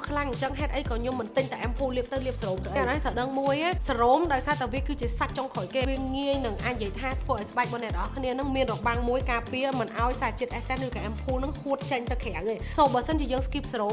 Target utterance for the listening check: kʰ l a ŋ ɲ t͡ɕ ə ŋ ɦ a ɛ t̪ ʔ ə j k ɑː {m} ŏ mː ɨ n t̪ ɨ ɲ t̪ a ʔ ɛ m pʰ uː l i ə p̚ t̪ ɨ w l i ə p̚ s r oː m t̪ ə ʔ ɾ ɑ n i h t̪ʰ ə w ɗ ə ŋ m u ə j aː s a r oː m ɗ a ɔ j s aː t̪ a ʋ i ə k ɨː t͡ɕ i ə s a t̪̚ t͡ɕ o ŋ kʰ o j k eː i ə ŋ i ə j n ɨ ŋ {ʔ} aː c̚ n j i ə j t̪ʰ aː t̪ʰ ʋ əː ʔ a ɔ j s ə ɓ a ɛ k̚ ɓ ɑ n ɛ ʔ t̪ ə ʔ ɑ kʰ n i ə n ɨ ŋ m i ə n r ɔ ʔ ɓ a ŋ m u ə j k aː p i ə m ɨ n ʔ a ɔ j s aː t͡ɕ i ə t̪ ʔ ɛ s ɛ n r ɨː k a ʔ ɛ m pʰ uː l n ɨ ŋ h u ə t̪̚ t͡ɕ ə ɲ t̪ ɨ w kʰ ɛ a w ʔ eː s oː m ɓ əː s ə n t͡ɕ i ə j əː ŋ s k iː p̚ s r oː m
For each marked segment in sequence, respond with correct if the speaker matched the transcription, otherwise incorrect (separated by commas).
incorrect, correct